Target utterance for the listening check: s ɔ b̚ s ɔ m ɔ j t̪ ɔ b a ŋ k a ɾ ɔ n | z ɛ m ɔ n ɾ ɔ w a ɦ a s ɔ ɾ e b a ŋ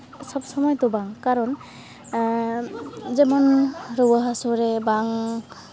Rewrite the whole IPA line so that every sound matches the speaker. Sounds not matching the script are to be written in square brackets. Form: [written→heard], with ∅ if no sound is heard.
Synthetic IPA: s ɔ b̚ s ɔ m ɔ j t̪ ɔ b a ŋ k a ɾ ɔ n | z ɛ m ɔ n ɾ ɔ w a ɦ a s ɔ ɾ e b a ŋ